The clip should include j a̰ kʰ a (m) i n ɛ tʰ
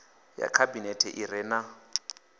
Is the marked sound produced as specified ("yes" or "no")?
no